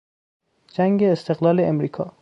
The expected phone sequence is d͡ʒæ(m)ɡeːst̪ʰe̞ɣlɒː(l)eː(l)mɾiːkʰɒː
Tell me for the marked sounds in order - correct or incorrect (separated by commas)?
incorrect, correct, incorrect